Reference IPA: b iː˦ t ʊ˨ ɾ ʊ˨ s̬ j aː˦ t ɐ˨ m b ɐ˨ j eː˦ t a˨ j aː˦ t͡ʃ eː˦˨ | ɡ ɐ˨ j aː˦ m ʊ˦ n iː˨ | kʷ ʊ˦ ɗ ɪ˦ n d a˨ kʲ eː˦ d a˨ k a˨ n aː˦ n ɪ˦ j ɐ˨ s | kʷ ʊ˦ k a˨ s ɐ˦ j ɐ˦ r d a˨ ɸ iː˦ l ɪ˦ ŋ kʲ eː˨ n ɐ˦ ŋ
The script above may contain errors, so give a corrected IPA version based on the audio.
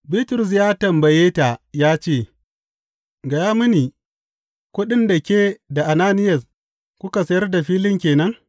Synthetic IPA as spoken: b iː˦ t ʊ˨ ɾ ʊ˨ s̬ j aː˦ t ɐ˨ m b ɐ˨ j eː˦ t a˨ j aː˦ t͡ʃ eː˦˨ | ɡ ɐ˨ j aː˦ m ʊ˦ n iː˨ | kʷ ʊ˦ ɗ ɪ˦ n d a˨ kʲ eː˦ d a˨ ʔ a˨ n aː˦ n ɪ˦ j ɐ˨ s | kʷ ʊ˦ k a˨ s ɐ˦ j ɐ˦ r d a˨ ɸ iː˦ l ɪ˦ ŋ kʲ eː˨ n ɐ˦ ŋ